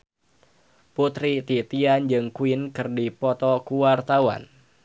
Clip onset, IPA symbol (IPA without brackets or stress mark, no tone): p